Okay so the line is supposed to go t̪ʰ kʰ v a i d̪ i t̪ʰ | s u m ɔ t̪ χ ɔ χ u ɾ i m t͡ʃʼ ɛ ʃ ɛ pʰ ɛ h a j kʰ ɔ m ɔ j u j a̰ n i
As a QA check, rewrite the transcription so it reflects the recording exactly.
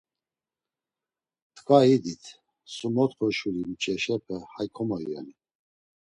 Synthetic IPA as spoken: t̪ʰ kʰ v a i d̪ i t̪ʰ | s u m ɔ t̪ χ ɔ ʃ u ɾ i m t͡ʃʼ ɛ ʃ ɛ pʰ ɛ h a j kʰ ɔ m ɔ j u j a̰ n i